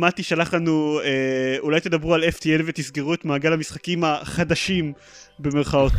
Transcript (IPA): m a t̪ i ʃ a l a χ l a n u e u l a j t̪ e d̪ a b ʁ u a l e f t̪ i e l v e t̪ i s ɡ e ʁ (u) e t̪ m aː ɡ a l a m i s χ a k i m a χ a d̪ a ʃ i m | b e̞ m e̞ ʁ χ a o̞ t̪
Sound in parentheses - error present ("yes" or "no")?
no